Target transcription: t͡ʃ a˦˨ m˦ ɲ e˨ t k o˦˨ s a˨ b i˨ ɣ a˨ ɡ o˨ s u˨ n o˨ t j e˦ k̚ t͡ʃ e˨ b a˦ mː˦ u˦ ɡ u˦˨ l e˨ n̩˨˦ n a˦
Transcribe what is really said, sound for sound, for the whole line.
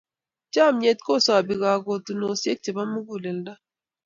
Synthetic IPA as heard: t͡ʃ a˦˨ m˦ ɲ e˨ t k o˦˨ s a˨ b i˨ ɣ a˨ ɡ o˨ t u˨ n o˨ s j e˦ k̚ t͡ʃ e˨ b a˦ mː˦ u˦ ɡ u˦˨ l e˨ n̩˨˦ d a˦